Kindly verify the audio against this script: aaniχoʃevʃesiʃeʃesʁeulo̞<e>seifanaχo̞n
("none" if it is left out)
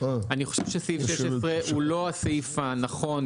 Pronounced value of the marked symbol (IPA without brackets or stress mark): a